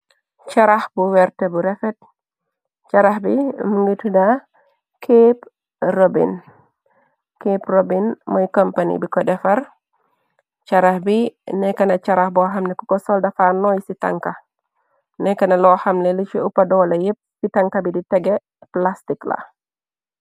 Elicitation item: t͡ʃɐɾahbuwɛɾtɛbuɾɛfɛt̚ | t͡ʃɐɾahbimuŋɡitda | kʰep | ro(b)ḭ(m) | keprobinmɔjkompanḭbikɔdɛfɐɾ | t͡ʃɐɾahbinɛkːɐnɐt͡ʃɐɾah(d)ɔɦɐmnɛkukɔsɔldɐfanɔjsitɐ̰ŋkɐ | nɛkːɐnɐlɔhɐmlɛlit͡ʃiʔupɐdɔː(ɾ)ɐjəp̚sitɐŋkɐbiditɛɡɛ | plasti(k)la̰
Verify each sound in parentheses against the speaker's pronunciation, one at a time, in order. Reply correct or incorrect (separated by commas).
correct, incorrect, incorrect, incorrect, correct